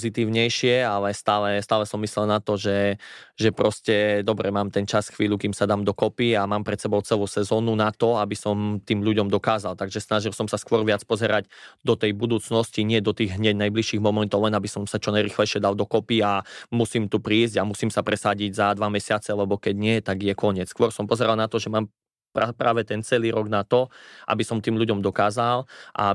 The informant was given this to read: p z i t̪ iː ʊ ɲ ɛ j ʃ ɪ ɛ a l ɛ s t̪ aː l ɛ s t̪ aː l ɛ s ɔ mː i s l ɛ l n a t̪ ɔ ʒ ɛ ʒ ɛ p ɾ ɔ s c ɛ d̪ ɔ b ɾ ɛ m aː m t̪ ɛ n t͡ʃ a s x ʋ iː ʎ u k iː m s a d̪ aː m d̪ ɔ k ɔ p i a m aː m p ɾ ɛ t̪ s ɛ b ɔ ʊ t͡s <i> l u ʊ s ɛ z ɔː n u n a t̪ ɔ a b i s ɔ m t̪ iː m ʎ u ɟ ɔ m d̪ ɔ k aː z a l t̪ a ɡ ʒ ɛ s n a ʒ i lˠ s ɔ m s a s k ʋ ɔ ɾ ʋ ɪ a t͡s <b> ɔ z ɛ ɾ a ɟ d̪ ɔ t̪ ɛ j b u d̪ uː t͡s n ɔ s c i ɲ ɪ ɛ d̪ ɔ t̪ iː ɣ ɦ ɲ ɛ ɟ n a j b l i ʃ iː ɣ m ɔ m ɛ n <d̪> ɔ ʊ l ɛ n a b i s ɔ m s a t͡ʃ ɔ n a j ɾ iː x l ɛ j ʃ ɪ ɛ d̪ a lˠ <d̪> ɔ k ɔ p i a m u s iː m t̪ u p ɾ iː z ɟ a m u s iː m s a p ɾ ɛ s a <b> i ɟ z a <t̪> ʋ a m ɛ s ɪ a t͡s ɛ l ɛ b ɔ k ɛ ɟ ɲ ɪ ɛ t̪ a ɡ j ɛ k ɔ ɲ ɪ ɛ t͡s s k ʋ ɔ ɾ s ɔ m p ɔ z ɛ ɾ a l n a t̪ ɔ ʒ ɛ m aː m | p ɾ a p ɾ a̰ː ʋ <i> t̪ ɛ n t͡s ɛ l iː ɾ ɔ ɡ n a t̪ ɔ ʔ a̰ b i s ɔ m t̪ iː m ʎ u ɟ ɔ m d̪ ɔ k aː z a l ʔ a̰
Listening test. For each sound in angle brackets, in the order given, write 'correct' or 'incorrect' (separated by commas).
incorrect, incorrect, incorrect, correct, incorrect, incorrect, incorrect